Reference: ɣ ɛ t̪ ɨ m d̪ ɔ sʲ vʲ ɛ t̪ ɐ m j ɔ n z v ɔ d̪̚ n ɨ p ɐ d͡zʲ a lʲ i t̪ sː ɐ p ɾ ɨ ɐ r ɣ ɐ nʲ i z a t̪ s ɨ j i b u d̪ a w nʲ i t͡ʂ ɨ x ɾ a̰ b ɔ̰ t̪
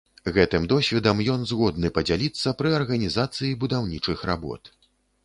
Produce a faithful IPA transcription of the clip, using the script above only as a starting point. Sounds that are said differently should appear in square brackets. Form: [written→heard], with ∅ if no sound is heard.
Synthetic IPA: ɣ ɛ t̪ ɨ m d̪ ɔ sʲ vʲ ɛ [t̪→d̪] ɐ m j ɔ n z [v→ɣ] ɔ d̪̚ n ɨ p ɐ d͡zʲ a lʲ i t̪ sː ɐ p ɾ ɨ ɐ r ɣ ɐ nʲ i z a t̪ s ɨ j i b u d̪ a w nʲ i t͡ʂ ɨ x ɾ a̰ b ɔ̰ t̪

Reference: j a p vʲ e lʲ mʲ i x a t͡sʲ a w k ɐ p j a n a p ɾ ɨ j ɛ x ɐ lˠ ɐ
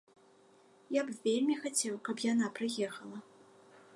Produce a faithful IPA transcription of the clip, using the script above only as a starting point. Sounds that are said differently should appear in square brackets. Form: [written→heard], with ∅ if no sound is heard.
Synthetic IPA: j a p vʲ e lʲ mʲ i x a t͡sʲ [a→ɛ] w k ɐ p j a n a p ɾ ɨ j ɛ x ɐ lˠ ɐ

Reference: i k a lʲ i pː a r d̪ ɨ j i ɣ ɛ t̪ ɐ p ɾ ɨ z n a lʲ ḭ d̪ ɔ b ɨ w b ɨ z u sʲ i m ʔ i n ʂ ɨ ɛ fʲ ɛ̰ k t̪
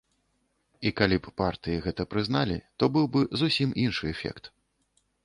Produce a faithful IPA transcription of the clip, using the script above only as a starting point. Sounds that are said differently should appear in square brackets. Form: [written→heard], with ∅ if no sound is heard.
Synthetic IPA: i k a lʲ i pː a r [d̪→t̪] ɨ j i ɣ ɛ t̪ ɐ p ɾ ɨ z n a lʲ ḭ [d̪→t̪] ɔ b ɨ w b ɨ z u sʲ i m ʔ i n ʂ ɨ ɛ fʲ ɛ̰ k t̪

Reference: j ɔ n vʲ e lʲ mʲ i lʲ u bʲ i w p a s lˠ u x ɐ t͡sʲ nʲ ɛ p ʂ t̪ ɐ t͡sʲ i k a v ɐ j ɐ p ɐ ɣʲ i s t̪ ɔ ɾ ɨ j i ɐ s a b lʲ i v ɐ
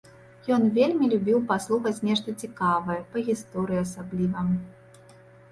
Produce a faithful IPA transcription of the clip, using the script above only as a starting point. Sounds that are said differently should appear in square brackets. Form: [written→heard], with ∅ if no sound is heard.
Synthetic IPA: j ɔ n vʲ e lʲ mʲ i lʲ u bʲ i w p a s lˠ u x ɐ t͡sʲ nʲ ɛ [p→∅] ʂ t̪ ɐ t͡sʲ i k a v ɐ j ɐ p ɐ ɣʲ i s t̪ ɔ ɾ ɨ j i ɐ s a b lʲ i v ɐ

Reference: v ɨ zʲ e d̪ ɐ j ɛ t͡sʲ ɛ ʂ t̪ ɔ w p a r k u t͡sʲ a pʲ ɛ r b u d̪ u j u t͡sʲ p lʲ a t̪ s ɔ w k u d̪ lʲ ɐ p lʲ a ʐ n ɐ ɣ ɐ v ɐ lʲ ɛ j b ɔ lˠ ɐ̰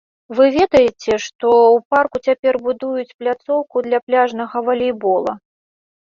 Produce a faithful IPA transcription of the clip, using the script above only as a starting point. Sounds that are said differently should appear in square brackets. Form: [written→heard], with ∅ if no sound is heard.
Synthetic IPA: v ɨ [zʲ→vʲ] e d̪ ɐ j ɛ t͡sʲ ɛ ʂ t̪ ɔ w p a r k u t͡sʲ a pʲ ɛ r b u d̪ u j u t͡sʲ p lʲ a t̪ s ɔ w k u d̪ lʲ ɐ p lʲ a ʐ n ɐ ɣ ɐ v ɐ lʲ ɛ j b ɔ lˠ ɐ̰

